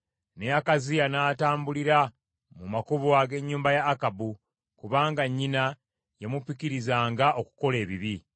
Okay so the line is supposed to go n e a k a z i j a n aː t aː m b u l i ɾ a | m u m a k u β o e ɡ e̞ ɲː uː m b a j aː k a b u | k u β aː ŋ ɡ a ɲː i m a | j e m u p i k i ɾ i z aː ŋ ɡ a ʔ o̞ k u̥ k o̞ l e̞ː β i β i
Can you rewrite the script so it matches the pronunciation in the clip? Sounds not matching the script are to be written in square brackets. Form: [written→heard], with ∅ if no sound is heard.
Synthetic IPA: n e a k a z i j a n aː t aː m b u l i ɾ a | m u m a k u β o [e→a] ɡ e̞ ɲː uː m b a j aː k a b u | k u β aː ŋ ɡ a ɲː i [m→n] a | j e m u p i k i ɾ i z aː ŋ ɡ a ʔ o̞ k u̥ k o̞ l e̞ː β i β i